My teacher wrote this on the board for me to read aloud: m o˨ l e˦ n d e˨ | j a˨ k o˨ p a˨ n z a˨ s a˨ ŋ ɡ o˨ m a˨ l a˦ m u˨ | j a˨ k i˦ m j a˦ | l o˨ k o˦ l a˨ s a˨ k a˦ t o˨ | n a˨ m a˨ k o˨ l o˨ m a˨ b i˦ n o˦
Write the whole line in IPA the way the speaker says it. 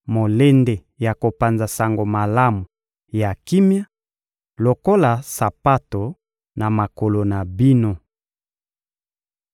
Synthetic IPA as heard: m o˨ l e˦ n d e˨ | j a˨ k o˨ p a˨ n z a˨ s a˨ ŋ ɡ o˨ m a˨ l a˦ m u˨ | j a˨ k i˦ m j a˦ | l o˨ k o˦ l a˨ s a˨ p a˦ t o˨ | n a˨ m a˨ k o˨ l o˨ n a˨ b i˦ n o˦